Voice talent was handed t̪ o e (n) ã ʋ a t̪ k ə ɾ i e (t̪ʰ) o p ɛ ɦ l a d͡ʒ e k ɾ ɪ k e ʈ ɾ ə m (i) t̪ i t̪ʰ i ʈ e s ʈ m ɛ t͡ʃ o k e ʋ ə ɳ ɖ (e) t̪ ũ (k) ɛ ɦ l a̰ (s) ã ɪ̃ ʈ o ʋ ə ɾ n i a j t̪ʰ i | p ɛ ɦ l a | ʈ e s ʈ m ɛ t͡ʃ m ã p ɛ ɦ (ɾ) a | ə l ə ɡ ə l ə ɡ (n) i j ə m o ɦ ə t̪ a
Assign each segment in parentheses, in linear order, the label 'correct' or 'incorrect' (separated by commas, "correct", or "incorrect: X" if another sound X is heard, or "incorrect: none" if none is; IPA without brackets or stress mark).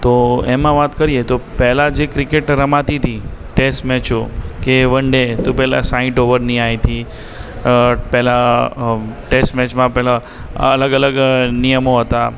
incorrect: m, incorrect: t̪, incorrect: a, correct, incorrect: p, correct, incorrect: l, correct